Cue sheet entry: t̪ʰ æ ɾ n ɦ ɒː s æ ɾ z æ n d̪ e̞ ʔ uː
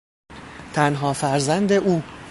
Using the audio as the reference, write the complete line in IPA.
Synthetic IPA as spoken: t̪ʰ æ n ɦ ɒː f æ ɾ z æ n d̪ e̞ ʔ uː